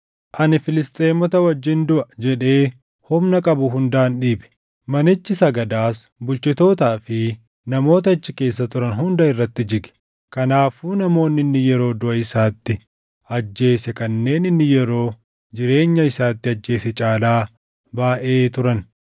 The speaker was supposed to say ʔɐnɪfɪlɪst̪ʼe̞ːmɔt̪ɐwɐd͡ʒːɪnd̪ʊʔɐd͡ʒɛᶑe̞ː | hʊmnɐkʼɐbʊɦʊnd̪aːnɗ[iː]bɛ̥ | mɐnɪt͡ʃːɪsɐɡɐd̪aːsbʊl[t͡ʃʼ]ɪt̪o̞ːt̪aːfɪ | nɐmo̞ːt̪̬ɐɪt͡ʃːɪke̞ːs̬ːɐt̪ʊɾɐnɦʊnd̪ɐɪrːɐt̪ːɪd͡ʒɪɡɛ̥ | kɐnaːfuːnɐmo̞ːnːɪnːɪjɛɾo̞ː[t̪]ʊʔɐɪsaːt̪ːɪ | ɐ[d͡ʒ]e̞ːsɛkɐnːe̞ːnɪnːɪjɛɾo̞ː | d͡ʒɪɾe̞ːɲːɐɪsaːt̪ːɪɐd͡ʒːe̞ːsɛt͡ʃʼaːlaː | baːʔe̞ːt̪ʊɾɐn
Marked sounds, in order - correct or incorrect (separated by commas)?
correct, incorrect, incorrect, incorrect